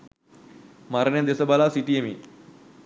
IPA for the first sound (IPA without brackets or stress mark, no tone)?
m